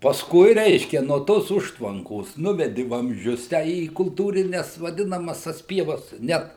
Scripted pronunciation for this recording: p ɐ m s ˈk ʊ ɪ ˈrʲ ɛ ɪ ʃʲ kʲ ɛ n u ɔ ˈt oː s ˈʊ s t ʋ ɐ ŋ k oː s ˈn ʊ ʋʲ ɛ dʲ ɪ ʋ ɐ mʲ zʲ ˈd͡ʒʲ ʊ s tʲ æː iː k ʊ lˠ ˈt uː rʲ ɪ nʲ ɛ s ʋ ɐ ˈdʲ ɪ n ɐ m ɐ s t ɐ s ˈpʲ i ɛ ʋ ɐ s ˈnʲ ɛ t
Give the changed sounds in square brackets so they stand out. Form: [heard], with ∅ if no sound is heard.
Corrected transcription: p ɐ [∅] s ˈk ʊ ɪ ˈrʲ ɛ ɪ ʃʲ kʲ ɛ n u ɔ ˈt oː s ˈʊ [ʃ] t ʋ ɐ ŋ k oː s ˈn ʊ ʋʲ ɛ dʲ ɪ ʋ ɐ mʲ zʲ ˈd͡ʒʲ ʊ s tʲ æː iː k ʊ lˠ ˈt uː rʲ ɪ nʲ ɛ s ʋ ɐ ˈdʲ ɪ n ɐ m ɐ s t ɐ s ˈpʲ i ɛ ʋ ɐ s ˈnʲ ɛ t